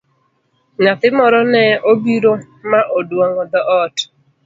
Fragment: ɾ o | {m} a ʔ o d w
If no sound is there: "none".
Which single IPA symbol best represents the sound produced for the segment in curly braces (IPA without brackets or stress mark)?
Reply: m